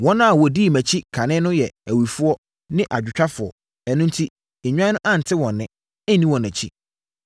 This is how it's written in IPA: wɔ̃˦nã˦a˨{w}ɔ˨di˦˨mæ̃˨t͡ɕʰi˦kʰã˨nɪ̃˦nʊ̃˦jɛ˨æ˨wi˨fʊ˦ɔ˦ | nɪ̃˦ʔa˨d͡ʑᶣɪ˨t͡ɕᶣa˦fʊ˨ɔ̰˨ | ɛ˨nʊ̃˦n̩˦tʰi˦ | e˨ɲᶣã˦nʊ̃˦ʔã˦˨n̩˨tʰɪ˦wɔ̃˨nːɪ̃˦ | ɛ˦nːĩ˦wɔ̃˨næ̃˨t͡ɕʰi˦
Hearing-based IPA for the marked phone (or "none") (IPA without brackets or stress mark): w